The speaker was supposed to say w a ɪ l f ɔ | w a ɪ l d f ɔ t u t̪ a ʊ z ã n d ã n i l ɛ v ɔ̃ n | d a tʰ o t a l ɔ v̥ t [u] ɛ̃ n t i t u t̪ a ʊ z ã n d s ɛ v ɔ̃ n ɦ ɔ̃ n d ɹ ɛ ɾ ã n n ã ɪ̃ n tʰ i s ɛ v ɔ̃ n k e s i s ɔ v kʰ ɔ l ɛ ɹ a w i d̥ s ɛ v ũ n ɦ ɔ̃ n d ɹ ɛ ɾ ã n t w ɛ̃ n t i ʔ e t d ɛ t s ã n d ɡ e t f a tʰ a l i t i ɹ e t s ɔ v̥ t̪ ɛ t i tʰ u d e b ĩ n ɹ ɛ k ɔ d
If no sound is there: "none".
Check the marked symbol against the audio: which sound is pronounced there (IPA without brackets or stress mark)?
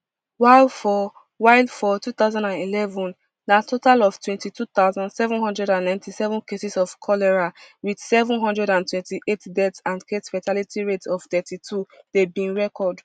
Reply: w